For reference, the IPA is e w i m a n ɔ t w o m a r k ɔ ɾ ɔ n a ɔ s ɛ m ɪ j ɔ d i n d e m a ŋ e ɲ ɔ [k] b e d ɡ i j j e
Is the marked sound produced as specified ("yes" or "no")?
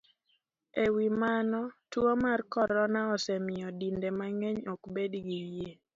yes